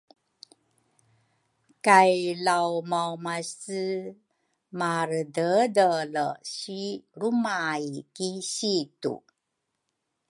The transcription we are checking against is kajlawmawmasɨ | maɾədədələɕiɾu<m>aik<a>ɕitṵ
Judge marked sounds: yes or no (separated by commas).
yes, no